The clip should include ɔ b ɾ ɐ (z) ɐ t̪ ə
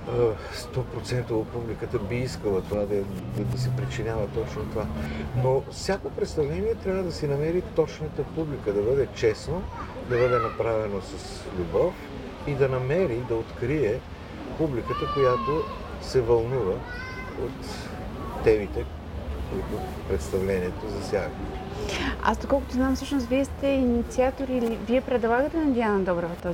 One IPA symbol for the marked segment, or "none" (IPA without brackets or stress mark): v